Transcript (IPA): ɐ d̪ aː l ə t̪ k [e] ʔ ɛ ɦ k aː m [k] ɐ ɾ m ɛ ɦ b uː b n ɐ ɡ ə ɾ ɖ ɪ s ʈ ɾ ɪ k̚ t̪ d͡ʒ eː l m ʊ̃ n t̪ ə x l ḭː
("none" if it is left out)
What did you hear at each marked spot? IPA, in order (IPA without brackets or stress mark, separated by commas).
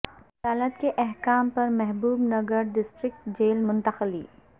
e, p